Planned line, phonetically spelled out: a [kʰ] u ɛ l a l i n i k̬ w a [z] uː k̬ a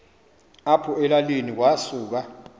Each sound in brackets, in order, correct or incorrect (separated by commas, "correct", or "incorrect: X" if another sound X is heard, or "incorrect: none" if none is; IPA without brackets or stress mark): incorrect: pʰ, incorrect: s